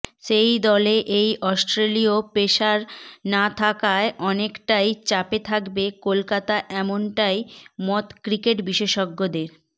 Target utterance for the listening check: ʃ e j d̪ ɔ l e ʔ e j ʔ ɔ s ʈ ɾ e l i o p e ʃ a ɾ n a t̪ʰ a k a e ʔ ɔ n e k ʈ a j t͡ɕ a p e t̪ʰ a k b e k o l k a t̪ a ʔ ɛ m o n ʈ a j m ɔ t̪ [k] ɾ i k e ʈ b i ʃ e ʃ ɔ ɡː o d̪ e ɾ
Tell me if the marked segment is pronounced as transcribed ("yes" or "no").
yes